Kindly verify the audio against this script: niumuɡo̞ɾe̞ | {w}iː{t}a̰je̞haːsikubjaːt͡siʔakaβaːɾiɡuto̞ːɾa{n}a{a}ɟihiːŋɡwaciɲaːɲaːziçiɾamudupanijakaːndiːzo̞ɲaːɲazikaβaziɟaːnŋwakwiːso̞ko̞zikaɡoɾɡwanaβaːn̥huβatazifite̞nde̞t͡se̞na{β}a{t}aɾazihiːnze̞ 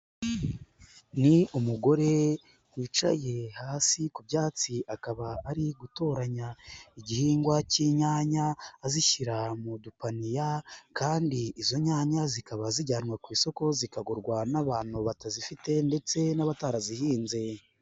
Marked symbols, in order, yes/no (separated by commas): yes, no, no, no, yes, yes